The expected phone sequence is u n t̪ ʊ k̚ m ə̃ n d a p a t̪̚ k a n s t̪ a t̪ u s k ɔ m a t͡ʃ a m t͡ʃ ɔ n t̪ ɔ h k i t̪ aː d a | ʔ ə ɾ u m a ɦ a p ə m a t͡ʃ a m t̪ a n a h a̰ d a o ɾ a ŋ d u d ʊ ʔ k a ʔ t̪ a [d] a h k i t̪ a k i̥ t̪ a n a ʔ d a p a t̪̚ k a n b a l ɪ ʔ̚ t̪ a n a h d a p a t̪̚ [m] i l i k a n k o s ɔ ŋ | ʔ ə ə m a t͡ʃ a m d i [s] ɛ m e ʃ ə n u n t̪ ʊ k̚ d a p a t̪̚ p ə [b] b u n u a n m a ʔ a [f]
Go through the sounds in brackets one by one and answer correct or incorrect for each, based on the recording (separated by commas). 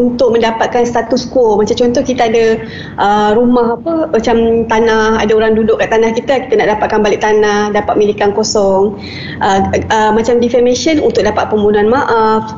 incorrect, correct, incorrect, incorrect, correct